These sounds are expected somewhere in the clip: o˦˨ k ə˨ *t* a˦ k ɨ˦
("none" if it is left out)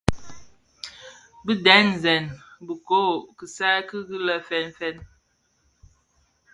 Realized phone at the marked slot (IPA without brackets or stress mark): s